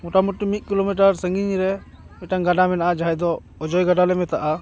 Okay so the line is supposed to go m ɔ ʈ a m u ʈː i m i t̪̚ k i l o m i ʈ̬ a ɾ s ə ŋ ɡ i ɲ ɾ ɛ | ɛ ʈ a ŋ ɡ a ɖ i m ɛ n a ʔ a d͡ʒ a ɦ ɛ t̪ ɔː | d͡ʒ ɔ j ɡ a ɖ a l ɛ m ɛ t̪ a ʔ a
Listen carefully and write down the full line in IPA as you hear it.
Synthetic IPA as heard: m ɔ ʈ a m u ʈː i m i t̪̚ k i l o m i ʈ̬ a ɾ s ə ŋ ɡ i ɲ ɾ ɛ | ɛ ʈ a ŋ ɡ a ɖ a m ɛ n a ʔ a d͡ʒ a ɦ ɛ d̪ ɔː | d͡ʒ ɔ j ɡ a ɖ a l ɛ m ɛ t̪ a ʔ a